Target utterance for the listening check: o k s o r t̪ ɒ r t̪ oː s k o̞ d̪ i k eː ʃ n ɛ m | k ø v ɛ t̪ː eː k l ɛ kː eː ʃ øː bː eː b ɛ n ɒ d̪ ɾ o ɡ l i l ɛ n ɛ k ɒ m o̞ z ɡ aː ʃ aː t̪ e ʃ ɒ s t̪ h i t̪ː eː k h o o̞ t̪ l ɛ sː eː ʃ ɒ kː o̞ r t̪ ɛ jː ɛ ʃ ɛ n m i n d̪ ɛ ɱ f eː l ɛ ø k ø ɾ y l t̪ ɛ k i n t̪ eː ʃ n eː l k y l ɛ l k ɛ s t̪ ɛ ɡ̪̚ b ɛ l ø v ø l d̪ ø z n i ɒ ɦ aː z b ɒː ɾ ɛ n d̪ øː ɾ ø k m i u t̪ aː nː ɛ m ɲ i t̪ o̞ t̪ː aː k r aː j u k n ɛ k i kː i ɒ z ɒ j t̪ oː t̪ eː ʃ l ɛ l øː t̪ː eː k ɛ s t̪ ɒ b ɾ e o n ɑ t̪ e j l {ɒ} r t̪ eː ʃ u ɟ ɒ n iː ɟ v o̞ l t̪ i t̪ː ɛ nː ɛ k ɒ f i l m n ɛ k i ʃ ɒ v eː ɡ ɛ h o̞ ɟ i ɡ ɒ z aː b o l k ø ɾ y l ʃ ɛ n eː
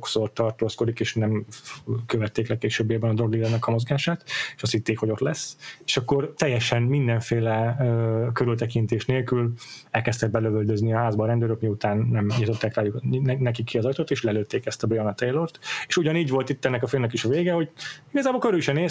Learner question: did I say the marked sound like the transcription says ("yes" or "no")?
no